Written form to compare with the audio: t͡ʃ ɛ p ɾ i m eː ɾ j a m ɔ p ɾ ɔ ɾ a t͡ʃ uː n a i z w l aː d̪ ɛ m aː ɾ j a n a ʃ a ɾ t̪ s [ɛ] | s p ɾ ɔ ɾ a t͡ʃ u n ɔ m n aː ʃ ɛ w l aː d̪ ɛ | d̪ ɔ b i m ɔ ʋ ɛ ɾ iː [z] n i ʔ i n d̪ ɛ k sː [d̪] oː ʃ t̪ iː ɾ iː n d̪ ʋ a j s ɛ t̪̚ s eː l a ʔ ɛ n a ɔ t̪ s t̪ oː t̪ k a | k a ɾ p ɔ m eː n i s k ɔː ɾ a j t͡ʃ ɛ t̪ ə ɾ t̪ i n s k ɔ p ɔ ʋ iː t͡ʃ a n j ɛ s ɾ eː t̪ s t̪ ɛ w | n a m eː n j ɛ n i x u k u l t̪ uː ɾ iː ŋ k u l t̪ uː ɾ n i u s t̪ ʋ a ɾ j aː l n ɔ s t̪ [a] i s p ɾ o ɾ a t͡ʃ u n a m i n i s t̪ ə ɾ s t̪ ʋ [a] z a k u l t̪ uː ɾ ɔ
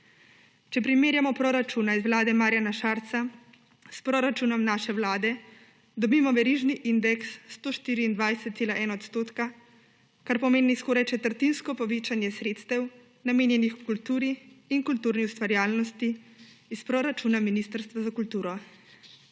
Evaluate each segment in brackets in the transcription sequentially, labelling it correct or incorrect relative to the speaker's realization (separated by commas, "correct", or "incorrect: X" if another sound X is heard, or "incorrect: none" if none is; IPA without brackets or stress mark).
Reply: incorrect: a, incorrect: ʒ, incorrect: t̪, incorrect: i, correct